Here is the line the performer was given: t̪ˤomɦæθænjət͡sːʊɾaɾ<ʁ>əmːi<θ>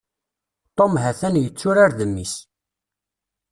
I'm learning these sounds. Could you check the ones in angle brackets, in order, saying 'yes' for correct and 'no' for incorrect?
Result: no, no

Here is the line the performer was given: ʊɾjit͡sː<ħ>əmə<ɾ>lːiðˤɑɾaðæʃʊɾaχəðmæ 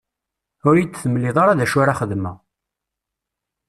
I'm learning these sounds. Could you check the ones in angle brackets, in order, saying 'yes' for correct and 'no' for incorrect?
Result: no, no

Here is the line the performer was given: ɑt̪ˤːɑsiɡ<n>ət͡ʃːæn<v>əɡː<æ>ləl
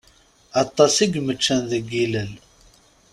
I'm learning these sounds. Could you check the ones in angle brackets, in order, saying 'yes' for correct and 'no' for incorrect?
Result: no, no, no

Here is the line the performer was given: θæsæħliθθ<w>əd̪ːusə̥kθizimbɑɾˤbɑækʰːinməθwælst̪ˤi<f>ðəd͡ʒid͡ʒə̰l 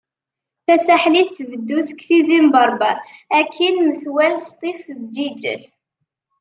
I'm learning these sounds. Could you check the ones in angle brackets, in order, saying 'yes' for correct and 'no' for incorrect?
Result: no, yes

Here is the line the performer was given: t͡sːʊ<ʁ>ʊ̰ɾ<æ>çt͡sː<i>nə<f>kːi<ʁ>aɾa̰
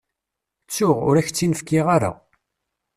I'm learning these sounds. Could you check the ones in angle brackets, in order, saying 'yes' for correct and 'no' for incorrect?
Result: yes, yes, yes, yes, yes

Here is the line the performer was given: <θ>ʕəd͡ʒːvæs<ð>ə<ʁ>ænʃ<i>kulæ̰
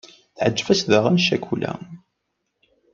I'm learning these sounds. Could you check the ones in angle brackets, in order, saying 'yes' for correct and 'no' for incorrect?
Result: yes, yes, yes, no

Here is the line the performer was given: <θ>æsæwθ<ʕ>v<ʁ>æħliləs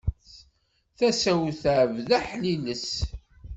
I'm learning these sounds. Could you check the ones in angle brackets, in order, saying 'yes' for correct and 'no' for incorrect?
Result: yes, yes, no

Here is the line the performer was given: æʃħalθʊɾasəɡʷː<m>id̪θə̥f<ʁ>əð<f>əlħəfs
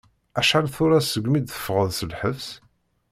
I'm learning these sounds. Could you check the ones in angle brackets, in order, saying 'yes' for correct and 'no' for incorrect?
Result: yes, yes, no

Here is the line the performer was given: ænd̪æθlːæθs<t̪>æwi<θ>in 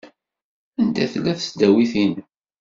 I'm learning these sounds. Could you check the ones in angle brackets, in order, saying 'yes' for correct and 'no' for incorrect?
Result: no, yes

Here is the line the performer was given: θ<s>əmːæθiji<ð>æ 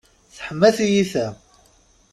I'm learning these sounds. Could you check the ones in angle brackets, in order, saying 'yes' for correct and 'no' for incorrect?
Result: no, no

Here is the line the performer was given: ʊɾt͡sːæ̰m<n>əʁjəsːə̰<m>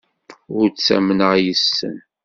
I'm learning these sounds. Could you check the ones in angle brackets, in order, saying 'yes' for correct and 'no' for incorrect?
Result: yes, no

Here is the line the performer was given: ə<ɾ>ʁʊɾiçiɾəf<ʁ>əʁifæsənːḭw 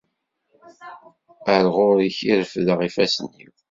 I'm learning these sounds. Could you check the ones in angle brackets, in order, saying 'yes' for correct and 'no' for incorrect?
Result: yes, no

